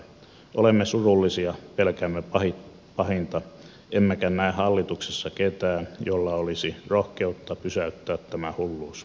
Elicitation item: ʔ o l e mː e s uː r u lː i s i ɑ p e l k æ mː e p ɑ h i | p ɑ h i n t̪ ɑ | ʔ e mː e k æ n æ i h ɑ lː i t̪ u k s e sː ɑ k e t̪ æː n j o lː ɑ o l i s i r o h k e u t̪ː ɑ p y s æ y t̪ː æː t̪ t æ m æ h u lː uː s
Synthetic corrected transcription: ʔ o l e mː e s u r u lː i s i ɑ p e l k æ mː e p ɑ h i | p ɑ h i n t̪ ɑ | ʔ e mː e k æ n æ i h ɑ lː i t̪ u k s e sː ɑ k e t̪ æː n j o lː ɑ o l i s i r o h k e u t̪ː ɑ p y s æ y t̪ː æː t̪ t æ m æ h u lː uː s